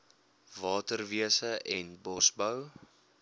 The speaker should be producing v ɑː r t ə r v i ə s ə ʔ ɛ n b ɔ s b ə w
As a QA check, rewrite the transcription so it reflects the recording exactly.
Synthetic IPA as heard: v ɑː t ə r v i ə s ə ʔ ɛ n b ɔ s b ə w